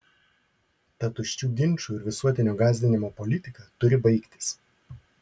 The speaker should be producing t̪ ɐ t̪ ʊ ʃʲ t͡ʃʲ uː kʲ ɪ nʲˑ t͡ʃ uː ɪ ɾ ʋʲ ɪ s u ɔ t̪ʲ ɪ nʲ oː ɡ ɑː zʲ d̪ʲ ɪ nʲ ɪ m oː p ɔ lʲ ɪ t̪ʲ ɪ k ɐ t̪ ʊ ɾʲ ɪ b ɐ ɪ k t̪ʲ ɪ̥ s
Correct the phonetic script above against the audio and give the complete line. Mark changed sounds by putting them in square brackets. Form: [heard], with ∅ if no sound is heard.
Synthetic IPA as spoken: t̪ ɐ t̪ ʊ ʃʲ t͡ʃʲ uː [ɡʲ] ɪ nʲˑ t͡ʃ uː ɪ ɾ ʋʲ ɪ s u ɔ t̪ʲ ɪ nʲ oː ɡ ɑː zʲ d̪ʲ ɪ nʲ ɪ m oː p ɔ lʲ ɪ t̪ʲ ɪ k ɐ t̪ ʊ ɾʲ ɪ b ɐ ɪ k t̪ʲ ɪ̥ s